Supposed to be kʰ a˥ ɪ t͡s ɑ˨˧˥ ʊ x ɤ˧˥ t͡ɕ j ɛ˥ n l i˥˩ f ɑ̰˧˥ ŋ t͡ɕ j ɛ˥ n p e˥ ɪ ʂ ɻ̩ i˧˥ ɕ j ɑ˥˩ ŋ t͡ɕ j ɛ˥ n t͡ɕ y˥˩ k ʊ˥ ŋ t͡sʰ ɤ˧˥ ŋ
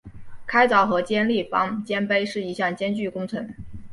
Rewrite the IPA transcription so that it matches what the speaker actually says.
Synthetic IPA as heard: kʰ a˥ ɪ t͡s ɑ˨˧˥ ʊ x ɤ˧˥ t͡ɕ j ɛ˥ n l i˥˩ f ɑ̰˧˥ ŋ t͡ɕ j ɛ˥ n p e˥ ɪ ʂ ɻ̩ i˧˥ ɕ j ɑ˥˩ ŋ t͡ɕ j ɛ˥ n t͡ɕ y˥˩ k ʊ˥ ŋ t͡sʰ ɤ˧˥ ŋ